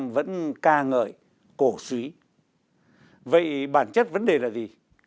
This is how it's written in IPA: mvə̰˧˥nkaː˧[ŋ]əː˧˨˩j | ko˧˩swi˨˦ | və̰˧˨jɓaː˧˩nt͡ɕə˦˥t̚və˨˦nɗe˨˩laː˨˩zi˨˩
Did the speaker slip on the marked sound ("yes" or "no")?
no